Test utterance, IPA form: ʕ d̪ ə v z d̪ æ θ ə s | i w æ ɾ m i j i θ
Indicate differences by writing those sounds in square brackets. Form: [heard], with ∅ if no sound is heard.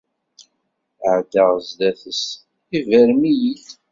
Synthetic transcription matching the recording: ʕ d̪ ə [ʁ] z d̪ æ θ ə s | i [v] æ ɾ m i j i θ